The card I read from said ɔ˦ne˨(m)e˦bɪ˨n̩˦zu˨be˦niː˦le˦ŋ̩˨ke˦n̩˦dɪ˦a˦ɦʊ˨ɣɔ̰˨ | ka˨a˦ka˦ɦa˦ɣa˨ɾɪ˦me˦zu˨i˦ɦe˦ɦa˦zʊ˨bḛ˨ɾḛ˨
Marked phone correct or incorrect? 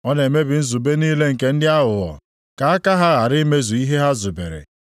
correct